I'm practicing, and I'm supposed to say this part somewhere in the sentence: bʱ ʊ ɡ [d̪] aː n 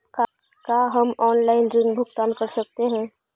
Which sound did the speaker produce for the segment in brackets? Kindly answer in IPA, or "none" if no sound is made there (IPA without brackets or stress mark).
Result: t̪